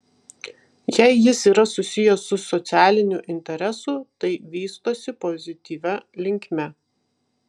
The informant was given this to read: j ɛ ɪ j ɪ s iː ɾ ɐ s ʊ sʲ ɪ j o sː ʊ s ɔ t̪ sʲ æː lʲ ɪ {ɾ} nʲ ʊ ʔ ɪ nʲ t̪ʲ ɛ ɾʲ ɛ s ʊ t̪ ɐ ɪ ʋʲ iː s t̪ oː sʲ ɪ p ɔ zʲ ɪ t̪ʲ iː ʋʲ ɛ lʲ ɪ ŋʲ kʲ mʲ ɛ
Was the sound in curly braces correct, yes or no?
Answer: no